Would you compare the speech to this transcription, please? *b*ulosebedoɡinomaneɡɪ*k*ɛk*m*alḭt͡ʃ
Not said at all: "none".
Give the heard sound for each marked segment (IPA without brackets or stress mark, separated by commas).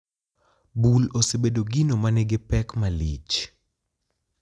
b, p, m